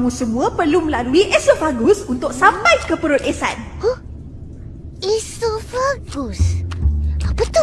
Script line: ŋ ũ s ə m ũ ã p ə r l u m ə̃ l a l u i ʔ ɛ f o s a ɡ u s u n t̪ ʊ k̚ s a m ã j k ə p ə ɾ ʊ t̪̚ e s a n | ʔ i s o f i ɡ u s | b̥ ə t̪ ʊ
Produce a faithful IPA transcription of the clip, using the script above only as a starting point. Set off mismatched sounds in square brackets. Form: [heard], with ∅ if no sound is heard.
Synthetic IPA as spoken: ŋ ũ s ə m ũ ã p ə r l u m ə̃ l a l u i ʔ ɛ [s] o [f] a ɡ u s u n t̪ ʊ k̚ s a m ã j k ə p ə ɾ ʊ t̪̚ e s a n | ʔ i s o f [a] ɡ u s | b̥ ə t̪ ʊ